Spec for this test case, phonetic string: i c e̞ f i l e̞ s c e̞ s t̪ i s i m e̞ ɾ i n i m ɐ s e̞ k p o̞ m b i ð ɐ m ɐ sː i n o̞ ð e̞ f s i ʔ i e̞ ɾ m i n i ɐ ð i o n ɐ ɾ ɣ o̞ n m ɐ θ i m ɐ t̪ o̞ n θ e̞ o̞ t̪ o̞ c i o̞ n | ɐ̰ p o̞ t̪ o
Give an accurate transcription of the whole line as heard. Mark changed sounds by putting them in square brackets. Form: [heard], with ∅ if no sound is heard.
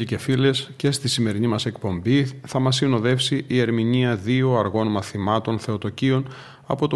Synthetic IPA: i c e̞ f i l e̞ s c e̞ s t̪ i s i m e̞ ɾ i n i m ɐ s e̞ k p o̞ m b i [θ] ɐ m ɐ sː i n o̞ ð e̞ f s i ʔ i e̞ ɾ m i n i ɐ ð i o [∅] ɐ ɾ ɣ o̞ n m ɐ θ i m ɐ t̪ o̞ n θ e̞ o̞ t̪ o̞ c i o̞ n | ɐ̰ p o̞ t̪ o